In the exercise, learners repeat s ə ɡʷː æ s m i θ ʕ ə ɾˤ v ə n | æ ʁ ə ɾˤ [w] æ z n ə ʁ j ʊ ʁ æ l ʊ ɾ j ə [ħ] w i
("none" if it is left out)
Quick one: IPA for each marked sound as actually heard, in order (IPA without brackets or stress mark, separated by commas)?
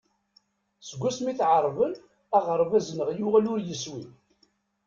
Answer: v, s